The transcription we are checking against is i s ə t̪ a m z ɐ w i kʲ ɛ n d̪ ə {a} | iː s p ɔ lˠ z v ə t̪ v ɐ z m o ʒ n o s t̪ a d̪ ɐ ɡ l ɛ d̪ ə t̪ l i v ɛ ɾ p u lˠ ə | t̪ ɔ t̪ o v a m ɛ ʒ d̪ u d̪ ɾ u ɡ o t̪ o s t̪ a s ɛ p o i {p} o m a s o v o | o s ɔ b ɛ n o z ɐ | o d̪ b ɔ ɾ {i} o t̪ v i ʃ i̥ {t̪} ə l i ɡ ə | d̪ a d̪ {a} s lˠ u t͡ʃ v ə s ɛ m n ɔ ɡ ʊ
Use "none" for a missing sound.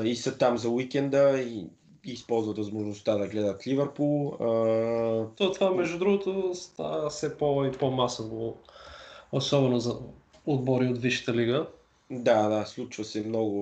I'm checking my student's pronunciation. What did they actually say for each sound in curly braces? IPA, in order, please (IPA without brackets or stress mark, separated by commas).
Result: i, p, i, t̪, a